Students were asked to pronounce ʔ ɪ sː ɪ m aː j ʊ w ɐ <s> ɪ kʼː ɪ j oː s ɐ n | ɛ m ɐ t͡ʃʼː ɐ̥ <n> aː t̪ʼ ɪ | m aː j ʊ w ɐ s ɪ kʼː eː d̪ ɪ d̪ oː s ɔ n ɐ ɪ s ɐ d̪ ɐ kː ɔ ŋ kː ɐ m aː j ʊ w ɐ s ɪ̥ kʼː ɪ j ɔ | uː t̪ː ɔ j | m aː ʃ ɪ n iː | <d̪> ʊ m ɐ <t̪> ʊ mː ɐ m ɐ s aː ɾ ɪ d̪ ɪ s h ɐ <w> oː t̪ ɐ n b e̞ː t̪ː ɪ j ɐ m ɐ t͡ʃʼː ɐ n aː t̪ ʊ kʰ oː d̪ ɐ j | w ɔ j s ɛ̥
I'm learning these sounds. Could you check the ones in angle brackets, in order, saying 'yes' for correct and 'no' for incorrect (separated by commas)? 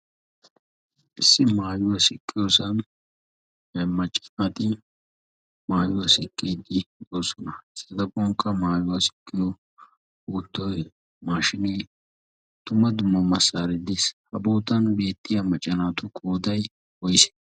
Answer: yes, yes, no, no, no